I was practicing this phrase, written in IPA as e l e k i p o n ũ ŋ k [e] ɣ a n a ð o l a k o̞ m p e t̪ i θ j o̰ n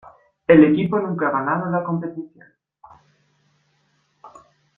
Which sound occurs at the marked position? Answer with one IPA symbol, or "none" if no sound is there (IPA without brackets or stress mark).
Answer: a